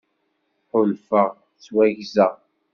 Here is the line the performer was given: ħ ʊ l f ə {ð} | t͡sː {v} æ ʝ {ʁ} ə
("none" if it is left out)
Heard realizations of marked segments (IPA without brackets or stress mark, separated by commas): ʁ, w, z